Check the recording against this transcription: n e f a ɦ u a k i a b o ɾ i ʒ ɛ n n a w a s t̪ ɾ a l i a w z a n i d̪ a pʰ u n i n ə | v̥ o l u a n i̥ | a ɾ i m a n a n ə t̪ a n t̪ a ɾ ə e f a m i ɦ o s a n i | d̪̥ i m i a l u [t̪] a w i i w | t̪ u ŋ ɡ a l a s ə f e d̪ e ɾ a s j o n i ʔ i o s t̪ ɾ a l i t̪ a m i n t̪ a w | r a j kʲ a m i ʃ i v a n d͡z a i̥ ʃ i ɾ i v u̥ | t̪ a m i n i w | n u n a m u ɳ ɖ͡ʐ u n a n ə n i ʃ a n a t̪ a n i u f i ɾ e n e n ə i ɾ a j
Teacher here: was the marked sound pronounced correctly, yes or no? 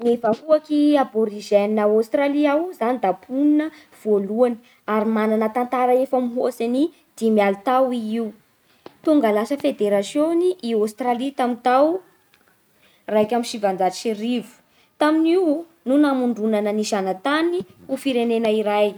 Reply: yes